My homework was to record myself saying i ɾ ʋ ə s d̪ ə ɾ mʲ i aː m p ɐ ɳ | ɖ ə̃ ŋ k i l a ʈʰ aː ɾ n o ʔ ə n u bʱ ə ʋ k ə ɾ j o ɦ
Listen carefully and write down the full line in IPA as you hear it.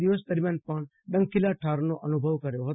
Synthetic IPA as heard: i ʋ ə s d̪ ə ɾ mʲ j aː n p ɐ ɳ | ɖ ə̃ ŋ k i l a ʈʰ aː ɾ n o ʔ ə n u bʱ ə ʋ k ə ɾ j o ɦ

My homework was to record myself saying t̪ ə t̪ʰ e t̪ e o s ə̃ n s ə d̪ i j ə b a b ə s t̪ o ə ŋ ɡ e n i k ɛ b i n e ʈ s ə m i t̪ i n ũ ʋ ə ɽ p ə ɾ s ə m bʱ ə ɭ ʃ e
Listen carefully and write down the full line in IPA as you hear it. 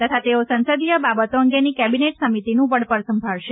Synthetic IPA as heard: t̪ ə t̪ʰ a t̪ e o s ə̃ n s ə d̪ i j ə b a b ə t̪ o ə ŋ ɡ e n i k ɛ b i n e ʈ s ə m i t̪ i n ũ ʋ ə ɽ p ə ɾ s ə m bʱ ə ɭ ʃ e

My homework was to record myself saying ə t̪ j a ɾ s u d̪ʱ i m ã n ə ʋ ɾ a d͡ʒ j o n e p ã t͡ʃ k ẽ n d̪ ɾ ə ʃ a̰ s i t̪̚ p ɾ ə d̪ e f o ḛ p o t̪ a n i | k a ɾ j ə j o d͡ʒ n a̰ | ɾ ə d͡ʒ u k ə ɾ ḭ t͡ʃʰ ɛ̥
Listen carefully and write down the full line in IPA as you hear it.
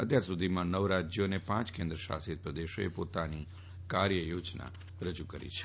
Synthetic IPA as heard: ə t̪ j a ɾ s u d̪ʱ i m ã n ə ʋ ɾ a d͡ʒ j o n e p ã t͡ʃ k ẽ n d̪ ɾ ə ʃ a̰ s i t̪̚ p ɾ ə d̪ e ʃ o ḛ p o t̪ a n i | k a ɾ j ə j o d͡ʒ n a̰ | ɾ ə d͡ʒ u k ə ɾ ḭ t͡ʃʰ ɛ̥

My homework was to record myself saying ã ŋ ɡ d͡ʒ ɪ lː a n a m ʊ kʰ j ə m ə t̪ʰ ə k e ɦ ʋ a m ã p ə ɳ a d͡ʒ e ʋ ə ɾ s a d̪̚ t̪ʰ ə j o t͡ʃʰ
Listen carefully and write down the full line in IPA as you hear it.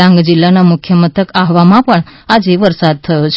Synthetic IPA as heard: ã ŋ ɡ d͡ʒ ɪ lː a n a m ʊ kʰ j ə m ə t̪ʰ ə k a ɦ ʋ a m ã p ə ɳ a d͡ʒ e ʋ ə ɾ s a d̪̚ t̪ʰ ə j o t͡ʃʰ

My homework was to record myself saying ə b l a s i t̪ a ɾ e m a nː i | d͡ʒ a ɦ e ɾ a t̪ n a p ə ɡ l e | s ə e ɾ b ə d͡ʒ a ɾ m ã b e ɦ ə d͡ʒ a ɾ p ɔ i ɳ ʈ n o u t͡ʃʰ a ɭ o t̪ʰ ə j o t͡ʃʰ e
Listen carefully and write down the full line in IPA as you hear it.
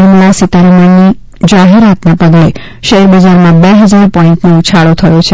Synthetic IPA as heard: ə m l a s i t̪ a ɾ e m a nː i | d͡ʒ a ɦ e ɾ a t̪ n a p ə ɡ l e | ʃ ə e ɾ b ə d͡ʒ a ɾ m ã b e ɦ ə d͡ʒ a ɾ p ɔ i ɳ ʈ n o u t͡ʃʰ a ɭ o t̪ʰ ə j o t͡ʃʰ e

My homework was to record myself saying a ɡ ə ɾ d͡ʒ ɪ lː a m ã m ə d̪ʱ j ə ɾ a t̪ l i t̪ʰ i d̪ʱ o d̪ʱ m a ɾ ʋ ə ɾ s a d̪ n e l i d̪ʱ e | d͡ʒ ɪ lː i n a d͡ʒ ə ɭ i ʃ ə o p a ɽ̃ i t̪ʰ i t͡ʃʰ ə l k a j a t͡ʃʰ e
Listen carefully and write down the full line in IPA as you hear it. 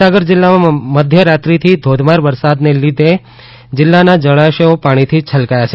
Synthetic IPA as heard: a ɡ ə ɾ d͡ʒ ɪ lː a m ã m ə d̪ʱ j ə ɾ a t̪ ɾ i t̪ʰ i d̪ʱ o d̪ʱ m a ɾ ʋ ə ɾ s a d̪ n e l i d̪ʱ e | d͡ʒ ɪ lː a n a d͡ʒ ə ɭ a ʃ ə o p a ɽ̃ i t̪ʰ i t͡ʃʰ ə l k a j a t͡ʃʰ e

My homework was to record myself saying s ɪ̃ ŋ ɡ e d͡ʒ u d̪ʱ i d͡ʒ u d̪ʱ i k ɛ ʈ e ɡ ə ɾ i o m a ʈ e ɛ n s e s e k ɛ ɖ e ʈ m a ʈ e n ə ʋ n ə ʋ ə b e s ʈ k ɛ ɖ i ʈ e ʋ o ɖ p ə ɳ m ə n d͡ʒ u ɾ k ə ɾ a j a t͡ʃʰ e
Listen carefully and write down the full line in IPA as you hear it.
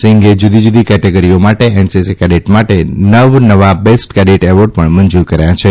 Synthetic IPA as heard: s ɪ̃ ŋ ɡ e d͡ʒ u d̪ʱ i d͡ʒ u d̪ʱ i k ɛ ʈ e ɡ ə ɾ i o m a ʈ e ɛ n s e s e k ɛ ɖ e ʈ m a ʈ e n ə ʋ n ə ʋ a b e s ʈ k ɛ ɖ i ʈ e ʋ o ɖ p ə ɳ m ə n d͡ʒ u ɾ k ə ɾ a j a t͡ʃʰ e

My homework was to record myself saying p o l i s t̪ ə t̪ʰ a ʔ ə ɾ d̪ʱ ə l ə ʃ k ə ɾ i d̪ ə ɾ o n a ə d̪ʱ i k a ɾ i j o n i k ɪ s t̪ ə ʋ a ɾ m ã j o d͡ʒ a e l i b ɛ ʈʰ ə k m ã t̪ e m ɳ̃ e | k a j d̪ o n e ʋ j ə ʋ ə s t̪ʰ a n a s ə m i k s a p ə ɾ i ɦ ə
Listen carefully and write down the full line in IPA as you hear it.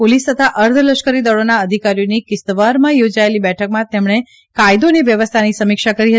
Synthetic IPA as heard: p o l i s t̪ ə t̪ʰ a ʔ ə ɾ d̪ʱ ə l ə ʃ k ə ɾ i d̪ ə ɭ o n a ə d̪ʱ i k a ɾ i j o n i k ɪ s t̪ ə ʋ a ɾ m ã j o d͡ʒ a e l i b ɛ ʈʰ ə k m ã t̪ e m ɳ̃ e | k a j d̪ o n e ʋ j ə ʋ ə s t̪ʰ a n i s ə m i k ʃ a k ə ɾ i ɦ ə

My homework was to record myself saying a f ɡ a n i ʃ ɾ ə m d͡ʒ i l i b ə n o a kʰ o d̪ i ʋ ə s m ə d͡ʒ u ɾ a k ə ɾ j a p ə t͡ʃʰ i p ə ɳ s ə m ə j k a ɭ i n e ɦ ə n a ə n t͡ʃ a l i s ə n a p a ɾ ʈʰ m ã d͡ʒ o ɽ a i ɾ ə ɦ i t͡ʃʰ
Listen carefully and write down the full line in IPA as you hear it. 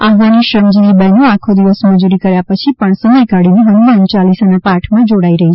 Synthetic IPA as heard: a f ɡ a n i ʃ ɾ ə m d͡ʒ i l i b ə n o a kʰ o d̪ i ʋ ə s m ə d͡ʒ u ɾ i k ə ɾ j a p ə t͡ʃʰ i p ə ɳ s ə m ə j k a ɽ i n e ɦ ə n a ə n t͡ʃ a l i s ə n a p a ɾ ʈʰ m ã d͡ʒ o ɽ a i ɾ ə ɦ i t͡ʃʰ

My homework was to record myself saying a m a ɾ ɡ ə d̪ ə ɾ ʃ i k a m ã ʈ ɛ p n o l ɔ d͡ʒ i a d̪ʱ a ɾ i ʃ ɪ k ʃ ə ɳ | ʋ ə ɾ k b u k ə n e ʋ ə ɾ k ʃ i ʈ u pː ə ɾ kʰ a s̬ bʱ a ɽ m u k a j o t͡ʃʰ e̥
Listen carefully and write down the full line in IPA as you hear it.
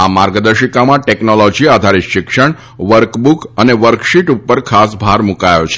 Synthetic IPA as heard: a m a ɾ ɡ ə d̪ ə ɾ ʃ i k a m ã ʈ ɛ k n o l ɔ d͡ʒ i a d̪ʱ a ɾ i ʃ ɪ k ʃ ə ɳ | ʋ ə ɾ k b u k ə n e ʋ ə ɾ k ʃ i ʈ u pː ə ɾ kʰ a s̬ bʱ a ɾ m u k a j o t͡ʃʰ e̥

